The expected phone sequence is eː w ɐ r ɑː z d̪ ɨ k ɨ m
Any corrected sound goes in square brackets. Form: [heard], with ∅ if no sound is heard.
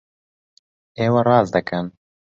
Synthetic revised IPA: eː w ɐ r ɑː z d̪ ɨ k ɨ [n]